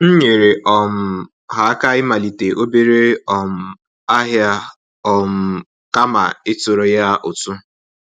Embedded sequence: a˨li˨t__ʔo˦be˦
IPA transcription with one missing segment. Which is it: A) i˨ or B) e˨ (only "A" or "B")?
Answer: B